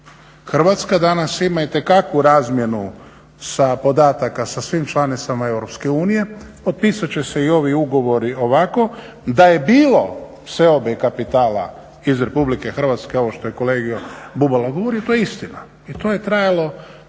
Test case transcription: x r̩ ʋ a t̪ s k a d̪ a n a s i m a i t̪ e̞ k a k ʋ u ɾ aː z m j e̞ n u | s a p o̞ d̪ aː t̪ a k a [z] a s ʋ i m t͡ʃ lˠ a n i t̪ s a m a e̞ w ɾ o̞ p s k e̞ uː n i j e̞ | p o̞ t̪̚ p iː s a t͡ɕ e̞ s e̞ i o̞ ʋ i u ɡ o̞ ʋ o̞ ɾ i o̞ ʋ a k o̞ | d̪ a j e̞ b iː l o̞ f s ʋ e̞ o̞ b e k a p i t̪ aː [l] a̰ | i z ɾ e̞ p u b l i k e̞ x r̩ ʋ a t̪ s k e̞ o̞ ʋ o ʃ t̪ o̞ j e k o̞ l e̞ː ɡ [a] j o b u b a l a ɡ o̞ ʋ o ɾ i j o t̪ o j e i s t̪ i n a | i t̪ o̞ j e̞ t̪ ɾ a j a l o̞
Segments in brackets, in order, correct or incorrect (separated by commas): incorrect, correct, incorrect